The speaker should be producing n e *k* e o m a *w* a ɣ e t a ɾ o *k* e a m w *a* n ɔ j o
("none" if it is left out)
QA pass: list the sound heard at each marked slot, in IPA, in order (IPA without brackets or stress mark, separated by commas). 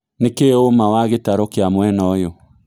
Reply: k, w, k, ɛ